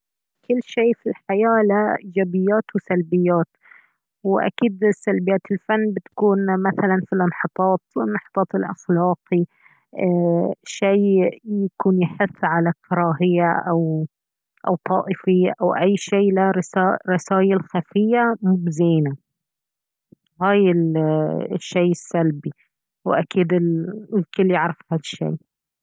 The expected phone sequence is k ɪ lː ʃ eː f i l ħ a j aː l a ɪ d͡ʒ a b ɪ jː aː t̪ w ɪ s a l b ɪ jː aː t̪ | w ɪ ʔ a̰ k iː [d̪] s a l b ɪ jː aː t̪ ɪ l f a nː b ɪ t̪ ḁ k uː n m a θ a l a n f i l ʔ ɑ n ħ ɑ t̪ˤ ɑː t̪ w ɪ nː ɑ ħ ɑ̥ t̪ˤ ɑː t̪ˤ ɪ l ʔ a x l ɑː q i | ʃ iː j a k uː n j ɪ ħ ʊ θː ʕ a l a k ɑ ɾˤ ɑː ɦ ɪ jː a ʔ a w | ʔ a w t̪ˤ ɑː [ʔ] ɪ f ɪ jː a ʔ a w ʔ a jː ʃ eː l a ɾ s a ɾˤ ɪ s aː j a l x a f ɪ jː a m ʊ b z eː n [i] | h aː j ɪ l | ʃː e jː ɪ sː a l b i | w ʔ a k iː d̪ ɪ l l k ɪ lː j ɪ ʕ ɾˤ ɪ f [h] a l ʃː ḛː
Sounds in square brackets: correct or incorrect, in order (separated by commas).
correct, correct, incorrect, correct